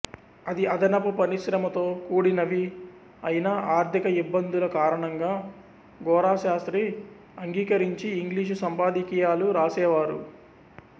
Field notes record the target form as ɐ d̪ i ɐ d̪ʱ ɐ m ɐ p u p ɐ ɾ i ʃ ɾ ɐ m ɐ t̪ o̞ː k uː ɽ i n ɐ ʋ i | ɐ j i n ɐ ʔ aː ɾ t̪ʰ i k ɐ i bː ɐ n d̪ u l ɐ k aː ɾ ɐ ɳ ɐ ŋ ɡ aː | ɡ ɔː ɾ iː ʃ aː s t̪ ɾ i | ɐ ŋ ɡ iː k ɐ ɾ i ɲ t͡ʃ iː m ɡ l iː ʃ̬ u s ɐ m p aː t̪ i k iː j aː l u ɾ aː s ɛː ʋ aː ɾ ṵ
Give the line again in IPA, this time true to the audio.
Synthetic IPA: ɐ d̪ i ɐ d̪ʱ ɐ n ɐ p u p ɐ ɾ i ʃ ɾ ɐ m ɐ t̪ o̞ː k uː ɽ i n ɐ ʋ i | ɐ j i n ɐ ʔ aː ɾ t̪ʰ i k ɐ i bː ɐ n d̪ u l ɐ k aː ɾ ɐ ɳ ɐ ŋ ɡ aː | ɡ ɔː ɾ aː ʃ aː s t̪ ɾ i | ɐ ŋ ɡ iː k ɐ ɾ i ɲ t͡ʃ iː ŋ ɡ l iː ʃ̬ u s ɐ m p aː d̪ i k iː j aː l u ɾ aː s ɛː ʋ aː ɾ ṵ